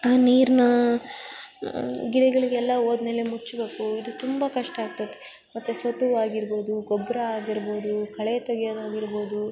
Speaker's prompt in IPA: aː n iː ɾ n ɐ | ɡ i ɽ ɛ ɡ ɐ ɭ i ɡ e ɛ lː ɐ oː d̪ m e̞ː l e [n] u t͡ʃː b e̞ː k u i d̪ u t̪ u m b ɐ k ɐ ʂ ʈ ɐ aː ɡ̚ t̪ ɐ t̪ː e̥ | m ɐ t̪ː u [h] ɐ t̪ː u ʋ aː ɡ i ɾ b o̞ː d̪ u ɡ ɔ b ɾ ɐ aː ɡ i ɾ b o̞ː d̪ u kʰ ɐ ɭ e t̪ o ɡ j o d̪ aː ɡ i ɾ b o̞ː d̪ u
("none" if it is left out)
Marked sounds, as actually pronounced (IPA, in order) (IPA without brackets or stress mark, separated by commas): m, s